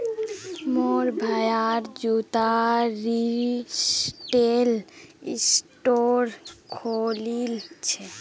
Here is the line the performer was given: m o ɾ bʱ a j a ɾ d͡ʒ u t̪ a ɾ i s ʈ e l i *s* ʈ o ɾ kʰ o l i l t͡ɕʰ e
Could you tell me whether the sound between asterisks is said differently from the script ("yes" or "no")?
no